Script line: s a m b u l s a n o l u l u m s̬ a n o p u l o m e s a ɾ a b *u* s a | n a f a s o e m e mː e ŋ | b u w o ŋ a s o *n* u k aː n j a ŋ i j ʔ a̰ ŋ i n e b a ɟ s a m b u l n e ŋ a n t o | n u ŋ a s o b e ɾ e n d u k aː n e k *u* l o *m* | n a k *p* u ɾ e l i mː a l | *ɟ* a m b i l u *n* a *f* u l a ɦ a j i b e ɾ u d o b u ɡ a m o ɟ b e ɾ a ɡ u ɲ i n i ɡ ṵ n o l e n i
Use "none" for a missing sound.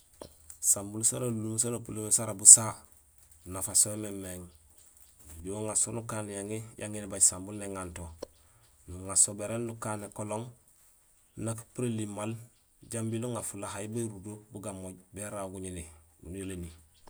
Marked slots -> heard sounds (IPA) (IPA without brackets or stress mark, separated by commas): u, n, o, ŋ, p, ɟ, ŋ, f